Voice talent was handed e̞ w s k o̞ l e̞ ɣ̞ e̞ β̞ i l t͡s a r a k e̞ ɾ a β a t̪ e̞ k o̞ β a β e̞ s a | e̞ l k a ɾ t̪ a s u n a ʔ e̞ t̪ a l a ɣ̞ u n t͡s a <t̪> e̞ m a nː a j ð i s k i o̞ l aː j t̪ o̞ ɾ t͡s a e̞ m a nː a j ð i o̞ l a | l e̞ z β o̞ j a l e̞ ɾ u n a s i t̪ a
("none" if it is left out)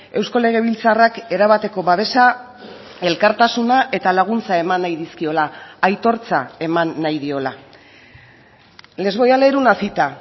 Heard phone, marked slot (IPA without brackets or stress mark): none